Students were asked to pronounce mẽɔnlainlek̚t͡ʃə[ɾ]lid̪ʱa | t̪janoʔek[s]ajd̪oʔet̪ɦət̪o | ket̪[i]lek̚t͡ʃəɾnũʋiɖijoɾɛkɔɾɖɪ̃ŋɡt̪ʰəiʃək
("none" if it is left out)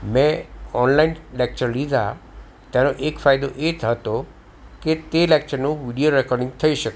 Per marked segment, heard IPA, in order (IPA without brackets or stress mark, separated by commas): ɾ, f, e